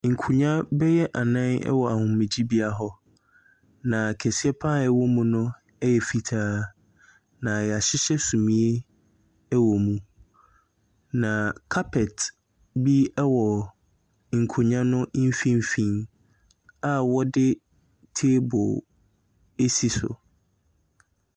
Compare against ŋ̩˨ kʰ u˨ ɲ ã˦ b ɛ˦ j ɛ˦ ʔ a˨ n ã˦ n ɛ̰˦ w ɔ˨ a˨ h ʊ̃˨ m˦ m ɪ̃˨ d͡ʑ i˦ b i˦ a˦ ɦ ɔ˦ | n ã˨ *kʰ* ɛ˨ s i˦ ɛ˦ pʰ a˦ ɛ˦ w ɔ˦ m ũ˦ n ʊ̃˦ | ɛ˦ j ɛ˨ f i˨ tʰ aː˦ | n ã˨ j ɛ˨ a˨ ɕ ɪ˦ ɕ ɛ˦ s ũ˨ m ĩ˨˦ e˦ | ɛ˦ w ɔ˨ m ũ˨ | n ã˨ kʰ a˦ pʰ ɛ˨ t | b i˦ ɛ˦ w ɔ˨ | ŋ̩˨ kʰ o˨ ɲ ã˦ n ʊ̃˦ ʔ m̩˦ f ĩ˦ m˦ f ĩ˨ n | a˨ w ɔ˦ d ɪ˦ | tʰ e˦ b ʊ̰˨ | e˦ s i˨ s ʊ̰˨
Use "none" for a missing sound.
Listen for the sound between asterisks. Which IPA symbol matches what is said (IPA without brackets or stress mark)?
kʰ